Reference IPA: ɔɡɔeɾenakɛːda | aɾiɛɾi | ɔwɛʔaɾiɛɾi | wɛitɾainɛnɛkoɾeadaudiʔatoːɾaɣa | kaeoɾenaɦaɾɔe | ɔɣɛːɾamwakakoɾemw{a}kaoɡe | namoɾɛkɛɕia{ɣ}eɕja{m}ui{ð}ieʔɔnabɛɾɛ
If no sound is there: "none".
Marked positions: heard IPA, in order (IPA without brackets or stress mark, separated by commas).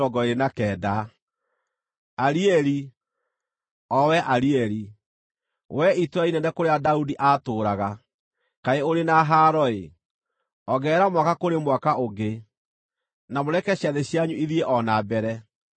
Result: a, ð, ɲ, ð